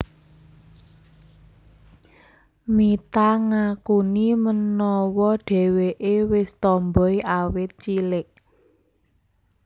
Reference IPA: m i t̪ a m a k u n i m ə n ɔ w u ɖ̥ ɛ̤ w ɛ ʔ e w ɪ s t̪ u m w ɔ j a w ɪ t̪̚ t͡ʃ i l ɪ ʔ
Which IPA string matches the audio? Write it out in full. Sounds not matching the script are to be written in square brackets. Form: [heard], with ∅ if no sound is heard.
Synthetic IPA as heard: m i t̪ a [ŋ] a k u n i m ə n ɔ w [ɔ] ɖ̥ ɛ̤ w [e] ʔ e w ɪ s t̪ [ɔ] m [b] ɔ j a w ɪ t̪̚ t͡ʃ i l ɪ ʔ